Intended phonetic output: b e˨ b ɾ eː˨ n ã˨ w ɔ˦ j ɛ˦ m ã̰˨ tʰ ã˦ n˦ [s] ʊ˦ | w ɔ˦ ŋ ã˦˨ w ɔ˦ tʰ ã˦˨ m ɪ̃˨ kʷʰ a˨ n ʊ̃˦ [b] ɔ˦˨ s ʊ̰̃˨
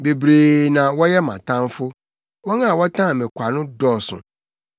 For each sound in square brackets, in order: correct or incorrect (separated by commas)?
incorrect, incorrect